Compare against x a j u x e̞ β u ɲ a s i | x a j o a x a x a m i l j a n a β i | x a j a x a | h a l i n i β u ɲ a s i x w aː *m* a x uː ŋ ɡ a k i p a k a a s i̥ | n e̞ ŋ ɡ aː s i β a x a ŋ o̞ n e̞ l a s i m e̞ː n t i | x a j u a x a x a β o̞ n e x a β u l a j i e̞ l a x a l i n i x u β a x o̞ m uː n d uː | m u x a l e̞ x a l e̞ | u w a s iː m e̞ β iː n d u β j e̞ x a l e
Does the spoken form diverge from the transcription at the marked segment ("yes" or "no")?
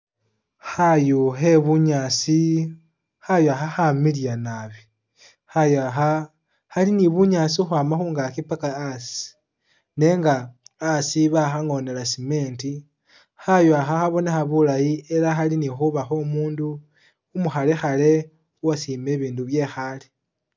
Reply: no